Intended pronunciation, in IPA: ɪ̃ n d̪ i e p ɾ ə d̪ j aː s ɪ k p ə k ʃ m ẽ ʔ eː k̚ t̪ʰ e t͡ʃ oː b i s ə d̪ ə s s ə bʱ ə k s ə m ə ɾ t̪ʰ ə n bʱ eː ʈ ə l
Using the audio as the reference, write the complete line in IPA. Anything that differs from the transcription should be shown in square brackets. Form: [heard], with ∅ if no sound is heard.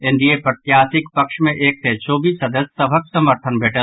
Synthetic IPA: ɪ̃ n d̪ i e p ɾ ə [t̪] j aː s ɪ k p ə k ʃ m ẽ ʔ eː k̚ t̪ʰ e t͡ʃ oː b i s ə d̪ ə s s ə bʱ ə k s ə m ə ɾ t̪ʰ ə n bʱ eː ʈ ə l